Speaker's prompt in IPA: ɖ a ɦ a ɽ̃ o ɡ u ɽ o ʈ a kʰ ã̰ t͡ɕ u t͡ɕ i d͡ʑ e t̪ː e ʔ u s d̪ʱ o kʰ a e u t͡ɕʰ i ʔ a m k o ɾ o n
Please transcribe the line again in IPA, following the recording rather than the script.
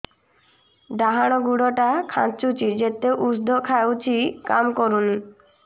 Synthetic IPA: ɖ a ɦ a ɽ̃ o ɡ u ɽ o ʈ a kʰ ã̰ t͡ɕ u t͡ɕ i d͡ʑ e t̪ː e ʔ u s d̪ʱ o kʰ a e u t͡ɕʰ i k a m k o ɾ u n